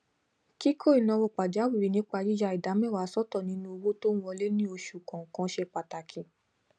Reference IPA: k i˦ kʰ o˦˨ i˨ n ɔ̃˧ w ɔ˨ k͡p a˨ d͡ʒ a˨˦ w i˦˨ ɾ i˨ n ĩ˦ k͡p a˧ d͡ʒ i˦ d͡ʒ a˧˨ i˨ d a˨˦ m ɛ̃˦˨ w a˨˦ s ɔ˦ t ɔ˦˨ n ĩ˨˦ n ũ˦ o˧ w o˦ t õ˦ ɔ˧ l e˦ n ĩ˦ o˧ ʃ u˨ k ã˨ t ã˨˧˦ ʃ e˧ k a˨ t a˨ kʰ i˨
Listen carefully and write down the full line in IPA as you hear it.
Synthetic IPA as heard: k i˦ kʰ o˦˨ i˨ n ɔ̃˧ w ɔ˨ k͡p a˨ d͡ʒ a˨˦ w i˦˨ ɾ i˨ n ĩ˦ k͡p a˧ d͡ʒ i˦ d͡ʒ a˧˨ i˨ d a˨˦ m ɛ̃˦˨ w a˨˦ s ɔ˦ t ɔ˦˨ n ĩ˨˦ n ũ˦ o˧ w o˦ t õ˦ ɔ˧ l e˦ n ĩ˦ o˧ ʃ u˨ k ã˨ k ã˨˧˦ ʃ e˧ k͡p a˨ t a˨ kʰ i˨

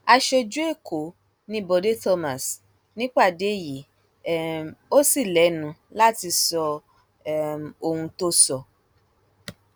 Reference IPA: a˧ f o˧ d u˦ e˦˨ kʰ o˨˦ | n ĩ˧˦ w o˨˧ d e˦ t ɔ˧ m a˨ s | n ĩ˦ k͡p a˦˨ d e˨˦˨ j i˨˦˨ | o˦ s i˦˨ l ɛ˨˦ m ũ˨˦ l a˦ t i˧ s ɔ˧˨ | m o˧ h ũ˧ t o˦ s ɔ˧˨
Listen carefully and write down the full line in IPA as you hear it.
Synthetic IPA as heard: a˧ ʃ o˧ d͡ʒ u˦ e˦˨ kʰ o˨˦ | n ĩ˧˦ b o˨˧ d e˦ t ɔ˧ m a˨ s | n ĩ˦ k͡p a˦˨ d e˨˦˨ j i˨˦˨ | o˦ s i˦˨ l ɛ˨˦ n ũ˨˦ l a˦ t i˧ s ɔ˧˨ | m o˧ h ũ˧ t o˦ s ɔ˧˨

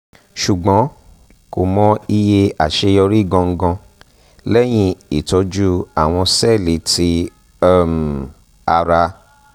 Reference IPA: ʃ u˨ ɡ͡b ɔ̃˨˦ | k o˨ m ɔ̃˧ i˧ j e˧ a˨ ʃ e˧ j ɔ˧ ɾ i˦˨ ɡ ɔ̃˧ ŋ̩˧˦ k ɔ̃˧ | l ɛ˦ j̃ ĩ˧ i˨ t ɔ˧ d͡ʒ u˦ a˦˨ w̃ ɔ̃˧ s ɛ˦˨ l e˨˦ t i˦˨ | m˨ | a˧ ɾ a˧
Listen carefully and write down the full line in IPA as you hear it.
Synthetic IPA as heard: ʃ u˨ ɡ͡b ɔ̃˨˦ | k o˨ m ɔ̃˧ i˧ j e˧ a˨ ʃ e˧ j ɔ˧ ɾ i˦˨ ɡ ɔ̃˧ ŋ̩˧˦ ɡ ɔ̃˧ | l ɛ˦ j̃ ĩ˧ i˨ t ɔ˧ d͡ʒ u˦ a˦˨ w̃ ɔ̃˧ s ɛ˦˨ l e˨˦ t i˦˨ | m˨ | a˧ ɾ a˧

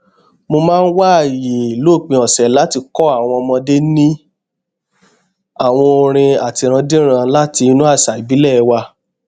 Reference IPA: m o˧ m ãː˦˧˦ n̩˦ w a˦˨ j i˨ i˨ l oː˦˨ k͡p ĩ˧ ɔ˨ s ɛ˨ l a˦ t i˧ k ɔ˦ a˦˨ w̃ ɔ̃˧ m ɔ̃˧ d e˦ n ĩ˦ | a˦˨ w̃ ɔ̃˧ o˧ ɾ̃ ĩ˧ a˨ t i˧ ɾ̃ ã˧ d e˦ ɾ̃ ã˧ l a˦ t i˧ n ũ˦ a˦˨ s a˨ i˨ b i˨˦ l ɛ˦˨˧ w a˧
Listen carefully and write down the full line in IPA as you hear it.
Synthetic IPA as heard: m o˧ m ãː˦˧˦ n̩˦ w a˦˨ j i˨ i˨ l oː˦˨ k͡p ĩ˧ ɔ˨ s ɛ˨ l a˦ t i˧ k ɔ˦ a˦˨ w̃ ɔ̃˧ m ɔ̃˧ d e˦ n ĩ˦ | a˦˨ w̃ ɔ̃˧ o˧ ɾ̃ ĩ˧ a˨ t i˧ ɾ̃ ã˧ d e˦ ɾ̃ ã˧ l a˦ t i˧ n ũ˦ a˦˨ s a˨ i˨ b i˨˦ l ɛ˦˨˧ w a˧

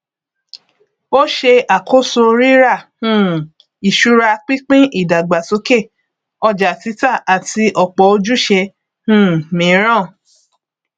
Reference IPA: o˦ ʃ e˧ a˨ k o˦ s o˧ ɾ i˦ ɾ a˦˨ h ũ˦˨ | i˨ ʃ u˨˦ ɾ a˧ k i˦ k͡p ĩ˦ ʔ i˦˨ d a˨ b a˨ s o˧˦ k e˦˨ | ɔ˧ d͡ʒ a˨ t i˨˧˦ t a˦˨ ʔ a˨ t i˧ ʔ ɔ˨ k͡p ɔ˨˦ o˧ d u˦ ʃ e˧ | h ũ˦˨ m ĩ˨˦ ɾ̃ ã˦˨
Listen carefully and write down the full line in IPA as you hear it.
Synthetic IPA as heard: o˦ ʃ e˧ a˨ k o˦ s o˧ ɾ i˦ ɾ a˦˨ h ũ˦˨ | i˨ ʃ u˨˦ ɾ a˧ k͡p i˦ k͡p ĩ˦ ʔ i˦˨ d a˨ ɡ͡b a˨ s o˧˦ k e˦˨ | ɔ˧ d͡ʒ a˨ t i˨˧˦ t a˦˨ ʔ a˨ t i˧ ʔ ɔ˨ k͡p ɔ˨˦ o˧ d͡ʒ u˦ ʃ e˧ | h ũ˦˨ m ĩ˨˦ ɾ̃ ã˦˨

